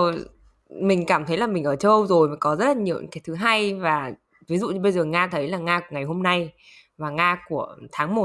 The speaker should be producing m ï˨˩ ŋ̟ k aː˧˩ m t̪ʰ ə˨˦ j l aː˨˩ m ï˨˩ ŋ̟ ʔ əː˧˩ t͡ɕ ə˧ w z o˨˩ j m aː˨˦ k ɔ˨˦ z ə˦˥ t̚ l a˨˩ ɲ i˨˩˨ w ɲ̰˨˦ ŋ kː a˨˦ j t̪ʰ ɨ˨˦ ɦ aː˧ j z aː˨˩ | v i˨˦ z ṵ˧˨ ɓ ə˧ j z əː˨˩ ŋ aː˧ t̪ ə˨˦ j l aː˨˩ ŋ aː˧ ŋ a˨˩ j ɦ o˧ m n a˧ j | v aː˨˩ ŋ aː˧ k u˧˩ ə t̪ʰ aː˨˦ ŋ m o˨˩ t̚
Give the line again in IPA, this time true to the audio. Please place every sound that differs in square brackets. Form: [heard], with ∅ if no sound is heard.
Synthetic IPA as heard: m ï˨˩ ŋ̟ k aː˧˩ m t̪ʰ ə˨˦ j l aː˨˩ m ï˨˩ ŋ̟ ʔ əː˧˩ t͡ɕ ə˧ w z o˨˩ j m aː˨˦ k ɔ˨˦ z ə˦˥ t̚ l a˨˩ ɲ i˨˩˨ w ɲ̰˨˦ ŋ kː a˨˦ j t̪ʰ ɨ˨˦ ɦ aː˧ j [v] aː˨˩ | v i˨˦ z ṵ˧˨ ɓ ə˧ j z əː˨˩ ŋ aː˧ [t̪ʰ] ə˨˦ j l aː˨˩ ŋ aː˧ ŋ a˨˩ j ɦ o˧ m n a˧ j | v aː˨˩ ŋ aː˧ k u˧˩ ə t̪ʰ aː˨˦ ŋ m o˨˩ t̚